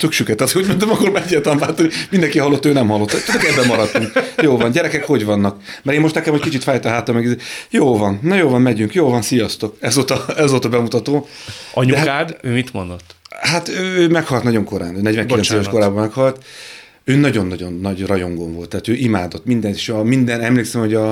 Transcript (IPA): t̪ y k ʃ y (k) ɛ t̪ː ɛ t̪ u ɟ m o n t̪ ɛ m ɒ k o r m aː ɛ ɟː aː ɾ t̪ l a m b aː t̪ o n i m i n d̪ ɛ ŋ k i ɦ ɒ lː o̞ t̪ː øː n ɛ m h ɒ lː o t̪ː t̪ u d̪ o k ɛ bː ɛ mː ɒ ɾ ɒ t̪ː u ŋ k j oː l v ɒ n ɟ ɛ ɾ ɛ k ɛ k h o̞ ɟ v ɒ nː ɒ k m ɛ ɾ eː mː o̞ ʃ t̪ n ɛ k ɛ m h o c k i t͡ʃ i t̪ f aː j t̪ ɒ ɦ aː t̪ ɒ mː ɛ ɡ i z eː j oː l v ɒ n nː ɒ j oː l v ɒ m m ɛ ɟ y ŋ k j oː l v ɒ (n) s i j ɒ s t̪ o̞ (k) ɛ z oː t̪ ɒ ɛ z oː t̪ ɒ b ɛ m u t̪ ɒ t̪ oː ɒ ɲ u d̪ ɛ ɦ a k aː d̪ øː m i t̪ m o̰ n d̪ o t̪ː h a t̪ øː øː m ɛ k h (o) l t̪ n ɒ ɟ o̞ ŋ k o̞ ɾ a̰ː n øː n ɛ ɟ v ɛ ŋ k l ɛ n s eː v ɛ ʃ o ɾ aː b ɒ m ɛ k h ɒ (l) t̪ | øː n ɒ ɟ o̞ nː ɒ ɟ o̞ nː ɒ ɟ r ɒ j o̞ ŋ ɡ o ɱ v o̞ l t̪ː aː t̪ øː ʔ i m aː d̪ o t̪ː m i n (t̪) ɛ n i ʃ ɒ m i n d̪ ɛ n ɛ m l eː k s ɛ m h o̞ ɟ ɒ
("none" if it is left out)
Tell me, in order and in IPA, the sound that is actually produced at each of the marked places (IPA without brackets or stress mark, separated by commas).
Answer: k, n, k, ɒ, l, d̪